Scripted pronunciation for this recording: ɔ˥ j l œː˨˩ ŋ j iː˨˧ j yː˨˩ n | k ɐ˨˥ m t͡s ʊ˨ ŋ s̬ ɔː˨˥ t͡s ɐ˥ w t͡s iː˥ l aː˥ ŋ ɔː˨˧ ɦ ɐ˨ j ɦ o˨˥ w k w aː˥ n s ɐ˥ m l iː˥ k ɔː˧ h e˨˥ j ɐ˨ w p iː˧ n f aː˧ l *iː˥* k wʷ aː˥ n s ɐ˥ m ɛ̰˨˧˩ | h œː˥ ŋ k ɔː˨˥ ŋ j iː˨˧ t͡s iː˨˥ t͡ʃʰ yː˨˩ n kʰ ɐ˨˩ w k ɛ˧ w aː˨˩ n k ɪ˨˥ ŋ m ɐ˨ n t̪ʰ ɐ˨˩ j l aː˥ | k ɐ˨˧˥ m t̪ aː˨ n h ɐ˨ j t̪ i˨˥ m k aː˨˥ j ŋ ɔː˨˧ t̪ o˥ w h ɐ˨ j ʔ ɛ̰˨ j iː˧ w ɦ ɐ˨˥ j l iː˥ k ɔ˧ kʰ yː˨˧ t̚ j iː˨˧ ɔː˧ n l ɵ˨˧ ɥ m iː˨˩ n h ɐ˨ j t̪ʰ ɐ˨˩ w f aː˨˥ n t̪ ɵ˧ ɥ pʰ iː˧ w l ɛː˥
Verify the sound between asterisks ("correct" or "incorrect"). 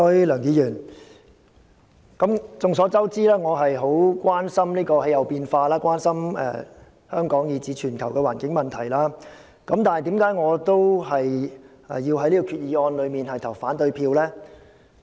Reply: incorrect